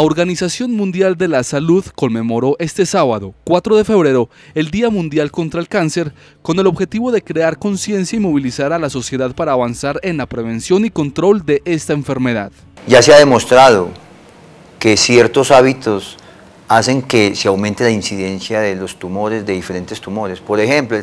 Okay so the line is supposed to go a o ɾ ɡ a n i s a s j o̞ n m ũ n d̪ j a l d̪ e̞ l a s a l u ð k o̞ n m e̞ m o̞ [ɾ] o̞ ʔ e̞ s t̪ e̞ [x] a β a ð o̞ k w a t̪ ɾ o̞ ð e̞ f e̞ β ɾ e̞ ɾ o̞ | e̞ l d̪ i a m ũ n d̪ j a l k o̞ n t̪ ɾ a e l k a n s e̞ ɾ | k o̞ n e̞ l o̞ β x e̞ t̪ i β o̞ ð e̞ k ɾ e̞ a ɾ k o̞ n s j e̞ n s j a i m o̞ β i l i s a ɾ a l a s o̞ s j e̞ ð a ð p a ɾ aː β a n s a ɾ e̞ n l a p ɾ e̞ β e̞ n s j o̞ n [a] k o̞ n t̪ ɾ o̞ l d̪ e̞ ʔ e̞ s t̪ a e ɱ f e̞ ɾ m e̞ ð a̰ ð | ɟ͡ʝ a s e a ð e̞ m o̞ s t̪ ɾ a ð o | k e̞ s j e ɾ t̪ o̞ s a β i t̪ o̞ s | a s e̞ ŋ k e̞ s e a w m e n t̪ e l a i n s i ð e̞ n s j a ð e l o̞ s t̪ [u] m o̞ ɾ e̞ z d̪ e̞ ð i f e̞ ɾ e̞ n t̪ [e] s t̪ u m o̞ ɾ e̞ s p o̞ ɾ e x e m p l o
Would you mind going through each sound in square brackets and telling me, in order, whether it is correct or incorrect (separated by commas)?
correct, incorrect, incorrect, correct, correct